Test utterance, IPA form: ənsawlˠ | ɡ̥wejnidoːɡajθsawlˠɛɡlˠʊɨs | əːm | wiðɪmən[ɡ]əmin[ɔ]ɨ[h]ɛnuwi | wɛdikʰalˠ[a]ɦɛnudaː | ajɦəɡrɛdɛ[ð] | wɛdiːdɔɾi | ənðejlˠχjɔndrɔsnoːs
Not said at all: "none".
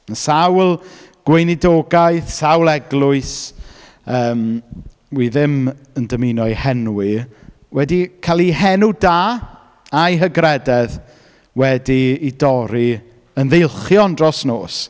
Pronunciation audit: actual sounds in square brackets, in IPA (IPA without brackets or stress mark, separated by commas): d, ɔ, h, i, ð